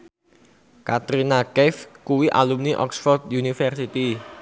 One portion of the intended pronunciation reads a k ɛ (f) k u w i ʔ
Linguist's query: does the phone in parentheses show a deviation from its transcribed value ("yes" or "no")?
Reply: no